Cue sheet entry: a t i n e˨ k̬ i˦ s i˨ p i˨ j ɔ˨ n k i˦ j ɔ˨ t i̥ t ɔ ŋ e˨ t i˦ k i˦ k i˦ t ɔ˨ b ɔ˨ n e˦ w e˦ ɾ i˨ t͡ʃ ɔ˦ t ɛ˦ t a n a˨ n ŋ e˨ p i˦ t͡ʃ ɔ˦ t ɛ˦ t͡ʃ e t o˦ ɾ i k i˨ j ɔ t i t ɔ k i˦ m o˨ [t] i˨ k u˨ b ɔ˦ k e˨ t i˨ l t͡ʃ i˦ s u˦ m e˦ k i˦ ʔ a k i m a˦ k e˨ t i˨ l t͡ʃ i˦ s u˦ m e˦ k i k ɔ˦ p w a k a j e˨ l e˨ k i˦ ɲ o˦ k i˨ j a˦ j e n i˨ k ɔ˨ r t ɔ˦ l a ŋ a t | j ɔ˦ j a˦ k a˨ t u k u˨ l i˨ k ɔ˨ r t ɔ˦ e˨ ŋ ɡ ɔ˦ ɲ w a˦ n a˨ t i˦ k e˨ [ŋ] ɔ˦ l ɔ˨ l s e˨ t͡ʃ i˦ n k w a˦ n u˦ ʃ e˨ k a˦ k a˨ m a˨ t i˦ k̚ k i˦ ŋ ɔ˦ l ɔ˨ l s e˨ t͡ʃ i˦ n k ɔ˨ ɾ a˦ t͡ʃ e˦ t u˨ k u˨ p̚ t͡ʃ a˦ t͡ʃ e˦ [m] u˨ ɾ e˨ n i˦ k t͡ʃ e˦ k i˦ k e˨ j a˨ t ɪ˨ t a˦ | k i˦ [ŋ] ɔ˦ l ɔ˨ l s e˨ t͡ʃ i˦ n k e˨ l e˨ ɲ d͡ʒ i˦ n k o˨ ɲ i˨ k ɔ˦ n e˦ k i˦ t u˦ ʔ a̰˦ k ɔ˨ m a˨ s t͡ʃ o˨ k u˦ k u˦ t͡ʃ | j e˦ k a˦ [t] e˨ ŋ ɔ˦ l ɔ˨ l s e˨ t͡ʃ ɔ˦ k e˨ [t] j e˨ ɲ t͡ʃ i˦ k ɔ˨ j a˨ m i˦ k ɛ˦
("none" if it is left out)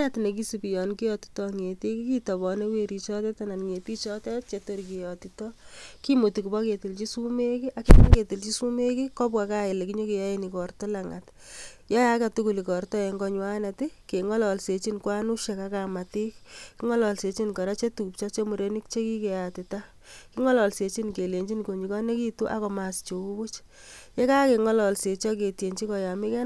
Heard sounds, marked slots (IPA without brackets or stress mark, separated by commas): t, ŋ, m, ŋ, k, t